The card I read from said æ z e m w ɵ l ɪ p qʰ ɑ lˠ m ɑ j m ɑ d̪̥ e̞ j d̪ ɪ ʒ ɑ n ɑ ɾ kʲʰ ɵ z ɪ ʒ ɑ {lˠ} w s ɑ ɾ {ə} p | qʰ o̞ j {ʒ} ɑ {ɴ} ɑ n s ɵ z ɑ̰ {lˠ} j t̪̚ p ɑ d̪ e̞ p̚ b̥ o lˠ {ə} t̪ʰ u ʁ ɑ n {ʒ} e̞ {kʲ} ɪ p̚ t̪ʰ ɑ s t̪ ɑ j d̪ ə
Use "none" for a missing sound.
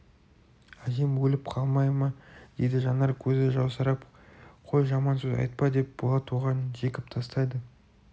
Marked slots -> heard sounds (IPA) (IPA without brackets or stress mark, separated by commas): none, ɑ, ʒ, m, none, ɑ, ʒ, kʲ